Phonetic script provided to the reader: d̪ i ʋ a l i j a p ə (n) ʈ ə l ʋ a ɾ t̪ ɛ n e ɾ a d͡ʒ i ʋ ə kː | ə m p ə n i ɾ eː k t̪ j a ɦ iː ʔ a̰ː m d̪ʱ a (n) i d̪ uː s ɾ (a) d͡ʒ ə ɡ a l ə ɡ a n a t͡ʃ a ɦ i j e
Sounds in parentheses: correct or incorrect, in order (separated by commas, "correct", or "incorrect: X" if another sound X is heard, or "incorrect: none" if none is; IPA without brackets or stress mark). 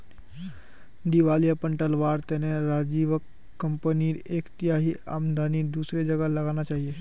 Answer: incorrect: ɳ, correct, incorrect: e